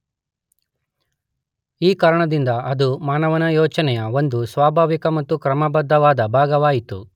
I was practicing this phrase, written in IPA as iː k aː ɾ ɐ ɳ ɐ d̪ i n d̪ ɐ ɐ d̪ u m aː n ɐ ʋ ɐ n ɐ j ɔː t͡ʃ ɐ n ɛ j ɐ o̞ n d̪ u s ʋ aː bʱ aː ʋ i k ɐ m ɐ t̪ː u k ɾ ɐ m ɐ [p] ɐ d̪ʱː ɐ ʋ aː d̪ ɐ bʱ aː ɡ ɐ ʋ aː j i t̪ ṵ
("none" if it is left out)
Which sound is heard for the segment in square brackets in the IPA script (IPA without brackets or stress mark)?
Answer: b